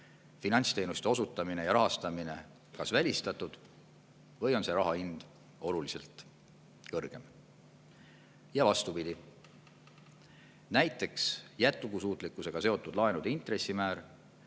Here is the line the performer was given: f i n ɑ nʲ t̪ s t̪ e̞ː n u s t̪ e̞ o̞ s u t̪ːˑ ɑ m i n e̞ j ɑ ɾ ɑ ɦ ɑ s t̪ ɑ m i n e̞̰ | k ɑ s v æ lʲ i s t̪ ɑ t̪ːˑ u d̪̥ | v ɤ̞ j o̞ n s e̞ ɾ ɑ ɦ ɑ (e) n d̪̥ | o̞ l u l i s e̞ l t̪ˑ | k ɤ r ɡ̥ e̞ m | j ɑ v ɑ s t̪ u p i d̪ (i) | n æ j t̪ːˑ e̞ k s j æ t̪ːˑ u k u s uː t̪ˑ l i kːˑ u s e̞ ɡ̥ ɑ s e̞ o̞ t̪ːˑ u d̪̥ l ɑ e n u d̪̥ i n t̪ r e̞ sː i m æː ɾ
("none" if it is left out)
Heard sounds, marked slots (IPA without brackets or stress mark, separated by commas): i, i